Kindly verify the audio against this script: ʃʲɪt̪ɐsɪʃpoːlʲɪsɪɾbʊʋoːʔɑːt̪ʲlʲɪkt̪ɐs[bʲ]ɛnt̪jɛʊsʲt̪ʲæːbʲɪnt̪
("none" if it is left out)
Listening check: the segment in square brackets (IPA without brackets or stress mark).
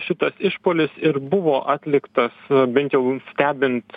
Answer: bʲ